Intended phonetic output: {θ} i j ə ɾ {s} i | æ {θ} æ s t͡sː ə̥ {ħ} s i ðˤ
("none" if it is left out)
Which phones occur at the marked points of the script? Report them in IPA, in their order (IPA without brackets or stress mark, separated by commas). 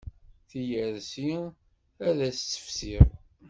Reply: θ, s, ð, f